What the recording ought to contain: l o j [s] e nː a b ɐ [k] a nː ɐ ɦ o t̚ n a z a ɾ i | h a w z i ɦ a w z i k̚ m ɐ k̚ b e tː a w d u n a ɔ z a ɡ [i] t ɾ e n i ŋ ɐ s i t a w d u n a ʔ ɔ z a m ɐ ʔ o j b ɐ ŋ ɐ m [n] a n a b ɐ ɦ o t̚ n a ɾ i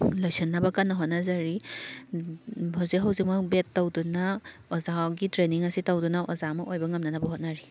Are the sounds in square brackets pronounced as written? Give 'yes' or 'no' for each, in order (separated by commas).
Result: yes, yes, yes, yes